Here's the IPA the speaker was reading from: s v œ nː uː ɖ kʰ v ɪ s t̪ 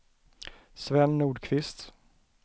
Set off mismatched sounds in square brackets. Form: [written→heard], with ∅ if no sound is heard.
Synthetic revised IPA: s v [œ→ɛ] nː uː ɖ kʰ v ɪ s t̪